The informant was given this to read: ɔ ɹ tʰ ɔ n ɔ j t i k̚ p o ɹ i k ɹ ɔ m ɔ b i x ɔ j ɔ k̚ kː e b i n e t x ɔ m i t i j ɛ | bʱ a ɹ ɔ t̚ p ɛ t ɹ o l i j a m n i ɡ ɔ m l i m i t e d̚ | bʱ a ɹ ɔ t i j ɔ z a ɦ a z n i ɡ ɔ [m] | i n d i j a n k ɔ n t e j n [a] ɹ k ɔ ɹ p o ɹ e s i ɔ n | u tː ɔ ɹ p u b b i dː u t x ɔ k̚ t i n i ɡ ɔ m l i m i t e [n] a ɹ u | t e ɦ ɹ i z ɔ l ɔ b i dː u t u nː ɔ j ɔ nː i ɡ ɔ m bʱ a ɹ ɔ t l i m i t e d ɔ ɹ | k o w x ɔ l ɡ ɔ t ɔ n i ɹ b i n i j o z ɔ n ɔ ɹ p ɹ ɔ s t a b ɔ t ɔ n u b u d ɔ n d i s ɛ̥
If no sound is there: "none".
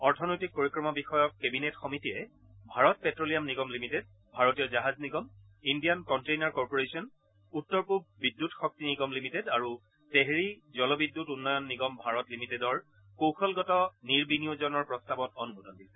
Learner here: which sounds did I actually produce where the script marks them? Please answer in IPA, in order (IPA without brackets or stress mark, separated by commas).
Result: m, a, d